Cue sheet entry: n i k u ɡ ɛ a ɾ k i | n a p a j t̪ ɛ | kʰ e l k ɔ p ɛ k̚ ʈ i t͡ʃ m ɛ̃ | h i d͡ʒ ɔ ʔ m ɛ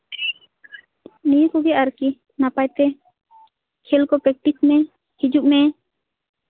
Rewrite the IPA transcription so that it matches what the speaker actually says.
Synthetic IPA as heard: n i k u ɡ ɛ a ɾ k i | n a p a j t̪ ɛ | kʰ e l k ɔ p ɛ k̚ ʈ i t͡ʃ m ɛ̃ | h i d͡ʒ u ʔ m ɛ